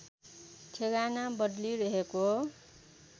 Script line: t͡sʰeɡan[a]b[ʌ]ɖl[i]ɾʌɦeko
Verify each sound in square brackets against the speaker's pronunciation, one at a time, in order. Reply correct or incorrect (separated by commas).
correct, correct, correct